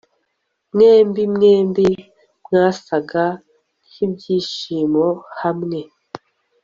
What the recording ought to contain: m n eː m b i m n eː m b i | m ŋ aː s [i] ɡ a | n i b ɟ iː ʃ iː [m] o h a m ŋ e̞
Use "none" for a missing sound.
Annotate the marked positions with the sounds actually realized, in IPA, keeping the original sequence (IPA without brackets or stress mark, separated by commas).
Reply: a, m